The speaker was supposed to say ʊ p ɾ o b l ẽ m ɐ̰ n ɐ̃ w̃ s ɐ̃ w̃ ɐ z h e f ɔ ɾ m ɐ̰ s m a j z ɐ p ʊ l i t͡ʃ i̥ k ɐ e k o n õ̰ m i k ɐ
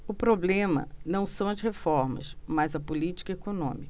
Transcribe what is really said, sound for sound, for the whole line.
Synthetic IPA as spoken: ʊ p ɾ o b l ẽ m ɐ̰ n ɐ̃ w̃ s ɐ̃ w̃ ɐ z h e f ɔ ɾ m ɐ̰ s m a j z ɐ p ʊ l i t͡ʃ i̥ k ɐ e k o n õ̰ m i k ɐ

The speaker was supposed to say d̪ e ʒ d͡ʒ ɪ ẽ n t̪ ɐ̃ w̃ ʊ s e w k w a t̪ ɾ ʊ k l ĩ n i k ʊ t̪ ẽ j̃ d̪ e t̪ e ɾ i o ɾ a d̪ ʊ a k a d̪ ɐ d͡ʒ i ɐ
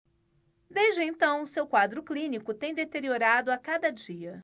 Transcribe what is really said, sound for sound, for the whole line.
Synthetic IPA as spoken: d̪ e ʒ d͡ʒ ɪ ẽ n t̪ ɐ̃ w̃ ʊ s e w k w a d̪ ɾ ʊ k l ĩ n i k ʊ t̪ ẽ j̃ d̪ e t̪ e ɾ i o ɾ a d̪ ʊ a k a d̪ ɐ d͡ʒ i ɐ

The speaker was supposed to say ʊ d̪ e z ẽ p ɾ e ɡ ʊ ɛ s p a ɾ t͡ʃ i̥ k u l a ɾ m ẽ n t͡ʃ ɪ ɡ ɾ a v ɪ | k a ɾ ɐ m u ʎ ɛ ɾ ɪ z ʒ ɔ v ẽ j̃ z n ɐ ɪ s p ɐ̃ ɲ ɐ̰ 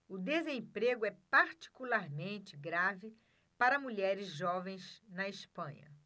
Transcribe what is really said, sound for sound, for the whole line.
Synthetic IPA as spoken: ʊ d̪ e z ẽ p ɾ e ɡ ʊ ɛ p a ɾ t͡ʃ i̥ k u l a ɾ m ẽ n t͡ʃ ɪ ɡ ɾ a v ɪ | p a ɾ ɐ m u ʎ ɛ ɾ ɪ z ʒ ɔ v ẽ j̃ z n ɐ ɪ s p ɐ̃ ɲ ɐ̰

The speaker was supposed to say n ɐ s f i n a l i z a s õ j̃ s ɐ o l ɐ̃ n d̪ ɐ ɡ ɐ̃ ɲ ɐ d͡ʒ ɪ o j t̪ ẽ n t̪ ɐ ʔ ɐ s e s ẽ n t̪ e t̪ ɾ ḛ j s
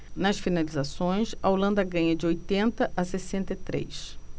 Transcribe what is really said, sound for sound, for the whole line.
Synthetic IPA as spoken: n ɐ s f i n a l i z a s õ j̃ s ɐ o l ɐ̃ n d̪ ɐ ɡ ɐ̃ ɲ ɐ d͡ʒ ɪ o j t̪ ẽ n t̪ ɐ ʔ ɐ s e s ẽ n t̪ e t̪ ɾ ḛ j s

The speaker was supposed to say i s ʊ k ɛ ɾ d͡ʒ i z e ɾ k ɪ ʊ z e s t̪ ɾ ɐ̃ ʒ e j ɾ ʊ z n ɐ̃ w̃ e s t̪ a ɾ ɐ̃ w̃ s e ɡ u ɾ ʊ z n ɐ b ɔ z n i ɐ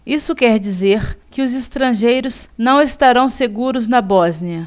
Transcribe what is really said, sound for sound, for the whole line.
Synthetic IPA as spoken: i s ʊ k ɛ ɾ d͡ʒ i z e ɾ k ɪ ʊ z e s t̪ ɾ ɐ̃ ʒ e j ɾ ʊ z n ɐ̃ w̃ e s t̪ a ɾ ɐ̃ w̃ s e ɡ u ɾ ʊ z n ɐ b ɔ z n i ɐ

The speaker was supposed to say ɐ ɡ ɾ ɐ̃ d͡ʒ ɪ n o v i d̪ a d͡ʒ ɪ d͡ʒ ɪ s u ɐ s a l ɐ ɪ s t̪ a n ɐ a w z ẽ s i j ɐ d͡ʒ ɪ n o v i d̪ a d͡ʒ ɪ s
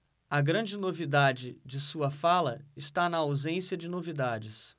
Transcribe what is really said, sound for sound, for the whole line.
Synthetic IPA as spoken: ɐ ɡ ɾ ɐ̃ d͡ʒ ɪ n o v i d̪ a d͡ʒ ɪ d͡ʒ ɪ s u ɐ f a l ɐ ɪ s t̪ a n ɐ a w z ẽ s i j ɐ d͡ʒ ɪ n o v i d̪ a d͡ʒ ɪ s

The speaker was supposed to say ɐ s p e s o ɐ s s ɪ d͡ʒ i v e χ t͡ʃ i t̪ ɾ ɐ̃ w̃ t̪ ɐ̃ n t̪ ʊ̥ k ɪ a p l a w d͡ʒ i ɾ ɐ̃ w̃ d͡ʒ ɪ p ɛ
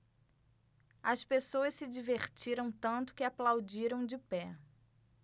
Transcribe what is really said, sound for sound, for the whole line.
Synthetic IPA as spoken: ɐ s p e s o ɐ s s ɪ d͡ʒ i v e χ t͡ʃ i ɾ ɐ̃ w̃ t̪ ɐ̃ n t̪ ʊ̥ k ɪ a p l a w d͡ʒ i ɾ ɐ̃ w̃ d͡ʒ ɪ p ɛ

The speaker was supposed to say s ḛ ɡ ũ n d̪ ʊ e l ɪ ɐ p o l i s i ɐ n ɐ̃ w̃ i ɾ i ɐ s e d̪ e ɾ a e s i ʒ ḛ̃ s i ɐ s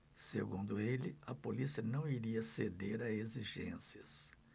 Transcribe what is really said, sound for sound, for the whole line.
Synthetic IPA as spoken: s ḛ ɡ ũ n d̪ ʊ e l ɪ ɐ p o l i s i ɐ n ɐ̃ w̃ i ɾ i ɐ s e d̪ e ɾ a e z i ʒ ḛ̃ s i ɐ s

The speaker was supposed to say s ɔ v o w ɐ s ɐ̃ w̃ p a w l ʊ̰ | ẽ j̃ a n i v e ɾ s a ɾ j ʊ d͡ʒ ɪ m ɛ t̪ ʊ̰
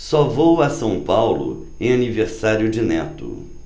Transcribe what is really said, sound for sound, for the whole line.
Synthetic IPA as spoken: s ɔ v o w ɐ s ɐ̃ w̃ p a w l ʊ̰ | ẽ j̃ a n i v e ɾ s a ɾ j ʊ d͡ʒ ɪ n ɛ t̪ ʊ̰

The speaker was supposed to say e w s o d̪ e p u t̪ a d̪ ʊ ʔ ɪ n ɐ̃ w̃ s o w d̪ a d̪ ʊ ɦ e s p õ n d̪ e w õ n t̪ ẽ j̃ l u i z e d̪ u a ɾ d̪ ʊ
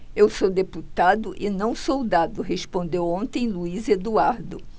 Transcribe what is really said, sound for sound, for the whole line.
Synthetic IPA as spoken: e w s o d̪ e p u t̪ a d̪ ʊ ʔ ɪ n ɐ̃ w̃ s o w d̪ a d̪ ʊ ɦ e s p õ n d̪ e w õ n t̪ ẽ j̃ l u i z e d̪ u a ɾ d̪ ʊ

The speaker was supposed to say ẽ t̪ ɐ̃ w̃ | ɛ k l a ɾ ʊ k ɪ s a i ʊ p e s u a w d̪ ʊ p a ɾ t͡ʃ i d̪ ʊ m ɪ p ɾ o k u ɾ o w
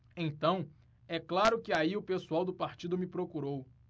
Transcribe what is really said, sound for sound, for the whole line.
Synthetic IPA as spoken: ẽ t̪ ɐ̃ w̃ | ɛ k l a ɾ ʊ k ɪ a i ʊ p e s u a w d̪ ʊ p a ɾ t͡ʃ i d̪ ʊ m ɪ p ɾ o k u ɾ o w

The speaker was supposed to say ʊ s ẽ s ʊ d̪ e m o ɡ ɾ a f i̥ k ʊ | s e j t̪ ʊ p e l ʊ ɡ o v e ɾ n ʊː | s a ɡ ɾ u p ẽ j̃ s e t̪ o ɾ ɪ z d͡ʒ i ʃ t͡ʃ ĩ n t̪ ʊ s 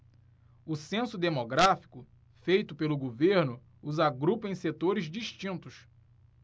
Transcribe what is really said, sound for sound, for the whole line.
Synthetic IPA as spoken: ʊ s ẽ s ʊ d̪ e m o ɡ ɾ a f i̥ k ʊ | f e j t̪ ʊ p e l ʊ ɡ o v e ɾ n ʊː | z a ɡ ɾ u p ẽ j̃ s e t̪ o ɾ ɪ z d͡ʒ i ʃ t͡ʃ ĩ n t̪ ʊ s

